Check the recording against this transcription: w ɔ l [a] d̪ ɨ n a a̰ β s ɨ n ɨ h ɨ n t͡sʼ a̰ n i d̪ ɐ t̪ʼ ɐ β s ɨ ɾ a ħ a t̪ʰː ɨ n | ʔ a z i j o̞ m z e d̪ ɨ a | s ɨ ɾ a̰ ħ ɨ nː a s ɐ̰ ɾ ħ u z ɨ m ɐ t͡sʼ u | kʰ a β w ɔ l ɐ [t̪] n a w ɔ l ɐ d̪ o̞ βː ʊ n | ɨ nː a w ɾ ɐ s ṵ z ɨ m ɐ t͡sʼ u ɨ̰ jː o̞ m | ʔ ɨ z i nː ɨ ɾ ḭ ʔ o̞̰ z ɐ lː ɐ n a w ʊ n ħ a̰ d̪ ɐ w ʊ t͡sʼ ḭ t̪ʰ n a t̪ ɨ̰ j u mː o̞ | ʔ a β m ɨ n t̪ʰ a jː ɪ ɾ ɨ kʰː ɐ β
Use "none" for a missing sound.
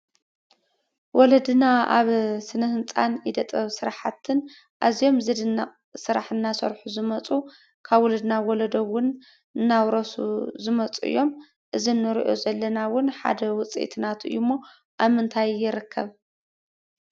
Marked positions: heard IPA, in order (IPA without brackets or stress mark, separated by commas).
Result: ɐ, d̪